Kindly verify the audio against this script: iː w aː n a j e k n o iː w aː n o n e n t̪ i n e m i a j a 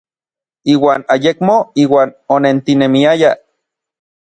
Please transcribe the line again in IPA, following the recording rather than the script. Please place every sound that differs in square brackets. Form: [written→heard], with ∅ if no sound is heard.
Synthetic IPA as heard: iː w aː n a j e k [n→m] o iː w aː n o n e n t̪ i n e m i a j a